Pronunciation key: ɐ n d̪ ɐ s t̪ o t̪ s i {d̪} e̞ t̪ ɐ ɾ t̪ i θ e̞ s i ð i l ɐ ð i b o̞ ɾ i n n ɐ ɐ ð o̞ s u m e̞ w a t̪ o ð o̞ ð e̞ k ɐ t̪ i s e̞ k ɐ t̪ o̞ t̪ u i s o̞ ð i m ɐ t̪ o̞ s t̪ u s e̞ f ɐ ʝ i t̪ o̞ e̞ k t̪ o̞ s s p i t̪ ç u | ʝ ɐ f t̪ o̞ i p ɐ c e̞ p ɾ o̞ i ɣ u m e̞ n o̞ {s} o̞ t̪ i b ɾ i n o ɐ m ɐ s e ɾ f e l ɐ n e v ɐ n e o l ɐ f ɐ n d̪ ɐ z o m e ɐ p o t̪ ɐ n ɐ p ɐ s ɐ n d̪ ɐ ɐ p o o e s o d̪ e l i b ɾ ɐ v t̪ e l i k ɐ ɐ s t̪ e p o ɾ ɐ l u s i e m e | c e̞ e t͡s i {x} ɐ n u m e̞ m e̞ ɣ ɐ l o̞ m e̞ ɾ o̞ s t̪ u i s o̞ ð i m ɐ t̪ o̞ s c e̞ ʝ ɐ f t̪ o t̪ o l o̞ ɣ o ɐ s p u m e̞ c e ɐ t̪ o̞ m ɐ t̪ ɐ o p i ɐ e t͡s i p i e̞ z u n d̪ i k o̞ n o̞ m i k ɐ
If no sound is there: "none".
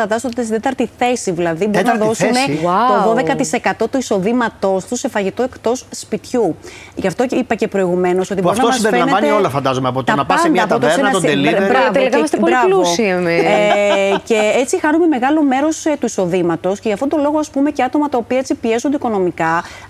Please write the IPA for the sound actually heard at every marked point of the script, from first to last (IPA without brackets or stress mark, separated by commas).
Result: d̪, s, x